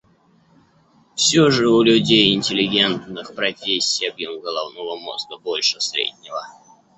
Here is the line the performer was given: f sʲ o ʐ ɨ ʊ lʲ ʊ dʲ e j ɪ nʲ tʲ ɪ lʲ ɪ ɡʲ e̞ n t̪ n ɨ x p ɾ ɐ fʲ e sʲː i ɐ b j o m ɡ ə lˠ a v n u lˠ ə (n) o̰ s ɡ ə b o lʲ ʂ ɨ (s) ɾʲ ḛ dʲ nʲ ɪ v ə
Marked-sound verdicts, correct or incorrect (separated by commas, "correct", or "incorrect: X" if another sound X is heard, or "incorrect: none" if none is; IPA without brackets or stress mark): incorrect: m, correct